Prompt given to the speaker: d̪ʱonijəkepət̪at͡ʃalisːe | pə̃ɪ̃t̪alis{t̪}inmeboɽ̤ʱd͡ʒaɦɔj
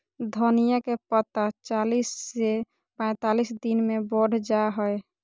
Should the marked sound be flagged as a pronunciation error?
yes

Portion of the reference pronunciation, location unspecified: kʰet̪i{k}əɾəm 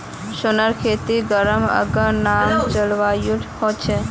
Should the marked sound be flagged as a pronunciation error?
yes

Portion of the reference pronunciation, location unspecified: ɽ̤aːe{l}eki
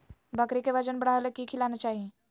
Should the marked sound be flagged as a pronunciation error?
no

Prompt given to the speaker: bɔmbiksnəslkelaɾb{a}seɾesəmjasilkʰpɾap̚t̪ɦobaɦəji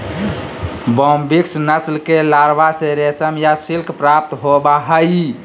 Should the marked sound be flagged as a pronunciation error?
no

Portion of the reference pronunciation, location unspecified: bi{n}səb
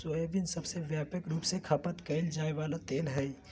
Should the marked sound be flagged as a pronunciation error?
no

